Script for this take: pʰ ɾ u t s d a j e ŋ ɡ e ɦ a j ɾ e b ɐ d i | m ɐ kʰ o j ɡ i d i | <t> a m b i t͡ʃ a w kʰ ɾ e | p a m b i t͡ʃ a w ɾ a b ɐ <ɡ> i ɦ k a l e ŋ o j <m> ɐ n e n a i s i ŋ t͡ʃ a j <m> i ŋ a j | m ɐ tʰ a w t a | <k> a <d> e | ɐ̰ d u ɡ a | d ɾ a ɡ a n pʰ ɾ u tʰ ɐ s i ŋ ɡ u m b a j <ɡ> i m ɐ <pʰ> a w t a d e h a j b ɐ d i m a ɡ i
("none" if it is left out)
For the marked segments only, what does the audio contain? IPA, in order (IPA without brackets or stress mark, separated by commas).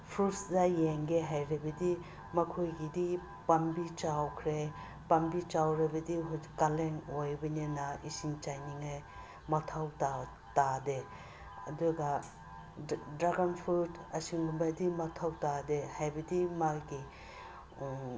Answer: p, d, b, n, t, d, d, tʰ